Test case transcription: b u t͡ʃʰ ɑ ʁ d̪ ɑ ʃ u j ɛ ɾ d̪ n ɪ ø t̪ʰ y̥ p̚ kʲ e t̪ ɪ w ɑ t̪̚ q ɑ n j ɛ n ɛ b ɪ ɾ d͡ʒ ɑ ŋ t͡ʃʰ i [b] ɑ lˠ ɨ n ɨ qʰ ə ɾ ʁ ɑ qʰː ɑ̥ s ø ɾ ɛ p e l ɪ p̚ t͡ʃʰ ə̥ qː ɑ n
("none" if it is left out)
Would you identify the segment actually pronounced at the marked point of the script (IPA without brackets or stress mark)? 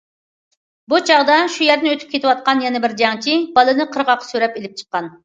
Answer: b